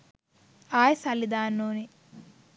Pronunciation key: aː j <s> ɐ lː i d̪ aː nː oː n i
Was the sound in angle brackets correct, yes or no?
yes